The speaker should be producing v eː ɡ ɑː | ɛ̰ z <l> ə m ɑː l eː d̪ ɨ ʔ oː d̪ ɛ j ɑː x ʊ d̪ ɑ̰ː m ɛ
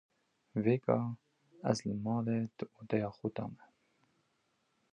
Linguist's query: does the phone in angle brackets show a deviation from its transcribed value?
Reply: no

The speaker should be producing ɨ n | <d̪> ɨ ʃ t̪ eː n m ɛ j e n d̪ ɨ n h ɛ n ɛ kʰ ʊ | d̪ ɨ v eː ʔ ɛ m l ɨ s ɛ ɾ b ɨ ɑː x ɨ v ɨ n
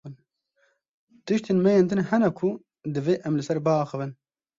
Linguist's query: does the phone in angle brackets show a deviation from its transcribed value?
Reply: yes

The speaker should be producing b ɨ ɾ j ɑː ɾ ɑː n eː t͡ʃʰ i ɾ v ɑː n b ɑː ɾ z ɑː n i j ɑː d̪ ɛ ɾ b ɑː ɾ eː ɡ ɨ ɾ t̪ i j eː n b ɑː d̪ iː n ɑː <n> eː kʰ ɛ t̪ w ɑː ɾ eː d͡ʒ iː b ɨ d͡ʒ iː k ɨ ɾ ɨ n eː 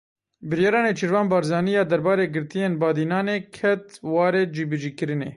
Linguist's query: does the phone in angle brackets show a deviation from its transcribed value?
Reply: no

